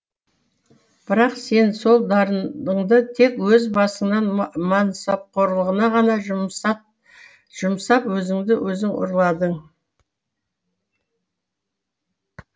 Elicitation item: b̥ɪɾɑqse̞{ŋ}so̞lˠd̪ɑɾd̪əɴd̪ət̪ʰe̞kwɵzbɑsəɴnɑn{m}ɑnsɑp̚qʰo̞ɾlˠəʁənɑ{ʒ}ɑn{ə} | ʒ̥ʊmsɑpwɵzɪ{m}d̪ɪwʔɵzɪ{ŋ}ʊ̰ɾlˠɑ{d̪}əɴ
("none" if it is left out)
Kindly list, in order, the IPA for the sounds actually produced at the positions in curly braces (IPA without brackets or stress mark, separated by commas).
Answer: n, m, ʁ, ɑ, ŋ, ŋ, d̪